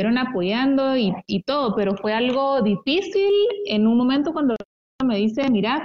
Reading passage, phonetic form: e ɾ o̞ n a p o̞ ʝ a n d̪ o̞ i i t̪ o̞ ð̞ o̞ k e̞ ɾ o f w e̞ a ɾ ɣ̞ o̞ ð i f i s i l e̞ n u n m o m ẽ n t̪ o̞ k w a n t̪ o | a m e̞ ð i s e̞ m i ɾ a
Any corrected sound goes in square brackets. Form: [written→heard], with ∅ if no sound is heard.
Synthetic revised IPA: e ɾ o̞ n a p o̞ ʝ a n d̪ o̞ i i t̪ o̞ ð̞ o̞ [k→p] e̞ ɾ o f w e̞ a [ɾ→l] ɣ̞ o̞ ð i f i s i l e̞ n u n m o m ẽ n t̪ o̞ k w a n [t̪→d̪] o | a m e̞ ð i s e̞ m i ɾ a